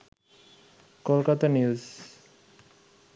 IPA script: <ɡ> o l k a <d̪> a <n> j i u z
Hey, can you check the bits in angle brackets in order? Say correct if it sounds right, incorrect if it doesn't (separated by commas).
incorrect, incorrect, correct